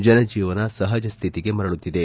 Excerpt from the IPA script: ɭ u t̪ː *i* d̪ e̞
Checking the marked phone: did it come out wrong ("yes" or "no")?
no